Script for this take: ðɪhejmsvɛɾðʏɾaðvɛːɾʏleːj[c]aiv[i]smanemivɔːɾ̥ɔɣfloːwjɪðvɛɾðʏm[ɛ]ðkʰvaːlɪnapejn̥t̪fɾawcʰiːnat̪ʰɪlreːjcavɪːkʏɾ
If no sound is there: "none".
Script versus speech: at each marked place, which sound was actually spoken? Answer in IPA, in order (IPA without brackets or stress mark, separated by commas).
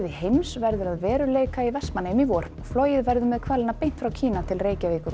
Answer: k, ɛ, ɛ